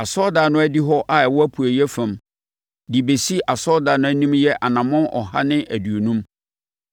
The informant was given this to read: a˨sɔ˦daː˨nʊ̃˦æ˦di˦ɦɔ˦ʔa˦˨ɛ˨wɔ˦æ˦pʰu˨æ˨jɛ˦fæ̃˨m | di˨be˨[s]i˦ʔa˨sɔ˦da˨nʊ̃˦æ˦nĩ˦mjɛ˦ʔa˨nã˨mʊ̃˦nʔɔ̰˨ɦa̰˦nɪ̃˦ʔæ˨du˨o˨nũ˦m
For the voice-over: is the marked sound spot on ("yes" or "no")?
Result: yes